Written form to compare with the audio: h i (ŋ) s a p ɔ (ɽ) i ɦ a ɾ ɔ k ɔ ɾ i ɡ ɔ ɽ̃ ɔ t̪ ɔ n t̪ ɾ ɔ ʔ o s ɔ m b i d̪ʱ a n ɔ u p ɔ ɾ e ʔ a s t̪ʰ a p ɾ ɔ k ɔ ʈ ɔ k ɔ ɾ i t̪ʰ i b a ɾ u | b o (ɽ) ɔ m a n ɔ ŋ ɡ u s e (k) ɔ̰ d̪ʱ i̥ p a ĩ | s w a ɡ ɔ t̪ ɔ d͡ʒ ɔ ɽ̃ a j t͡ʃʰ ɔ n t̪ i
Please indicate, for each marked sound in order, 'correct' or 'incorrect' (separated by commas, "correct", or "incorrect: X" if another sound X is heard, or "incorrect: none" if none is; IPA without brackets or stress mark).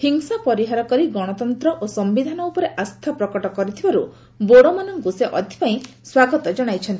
correct, incorrect: ɾ, correct, incorrect: ʔ